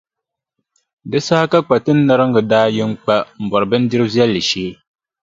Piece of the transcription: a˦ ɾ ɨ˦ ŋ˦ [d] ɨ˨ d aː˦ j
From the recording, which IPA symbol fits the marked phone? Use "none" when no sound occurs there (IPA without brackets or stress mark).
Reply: ɡ